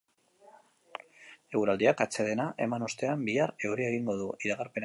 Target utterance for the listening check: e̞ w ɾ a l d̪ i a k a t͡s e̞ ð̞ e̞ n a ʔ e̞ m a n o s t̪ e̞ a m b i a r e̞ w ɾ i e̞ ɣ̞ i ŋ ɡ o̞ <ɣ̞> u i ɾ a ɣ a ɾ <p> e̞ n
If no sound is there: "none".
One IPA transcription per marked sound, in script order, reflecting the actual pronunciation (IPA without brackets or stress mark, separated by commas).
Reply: ð̞, p